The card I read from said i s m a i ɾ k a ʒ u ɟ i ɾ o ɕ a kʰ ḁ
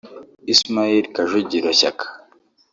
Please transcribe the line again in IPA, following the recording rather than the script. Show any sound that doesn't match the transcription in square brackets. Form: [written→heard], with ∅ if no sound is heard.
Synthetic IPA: i s m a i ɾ k a ʒ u ɟ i ɾ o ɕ a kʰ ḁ